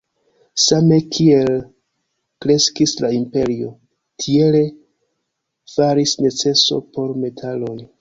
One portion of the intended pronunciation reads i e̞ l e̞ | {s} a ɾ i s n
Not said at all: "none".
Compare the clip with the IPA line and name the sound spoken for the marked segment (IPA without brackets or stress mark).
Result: f